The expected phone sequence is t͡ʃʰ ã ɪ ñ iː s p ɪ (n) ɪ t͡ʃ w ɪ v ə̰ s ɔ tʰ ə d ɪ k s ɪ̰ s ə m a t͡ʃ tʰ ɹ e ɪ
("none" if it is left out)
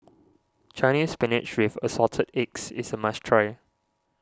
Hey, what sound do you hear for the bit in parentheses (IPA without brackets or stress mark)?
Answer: n